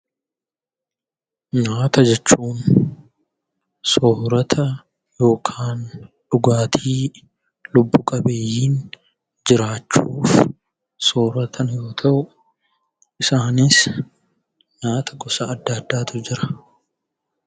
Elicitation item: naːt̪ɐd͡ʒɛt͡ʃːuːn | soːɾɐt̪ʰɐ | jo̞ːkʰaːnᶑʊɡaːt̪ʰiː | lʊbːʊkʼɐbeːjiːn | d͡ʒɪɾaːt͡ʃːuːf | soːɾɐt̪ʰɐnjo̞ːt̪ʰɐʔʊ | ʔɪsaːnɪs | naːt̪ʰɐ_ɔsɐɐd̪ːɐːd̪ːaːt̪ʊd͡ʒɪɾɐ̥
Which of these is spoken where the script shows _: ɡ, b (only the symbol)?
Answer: ɡ